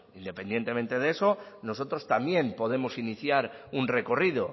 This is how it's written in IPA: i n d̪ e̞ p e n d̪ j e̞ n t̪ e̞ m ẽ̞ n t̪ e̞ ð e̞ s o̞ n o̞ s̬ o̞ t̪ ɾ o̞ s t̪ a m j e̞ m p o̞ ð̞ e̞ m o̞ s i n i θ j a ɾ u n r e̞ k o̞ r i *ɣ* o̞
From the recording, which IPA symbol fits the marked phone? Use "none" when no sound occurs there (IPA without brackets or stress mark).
ð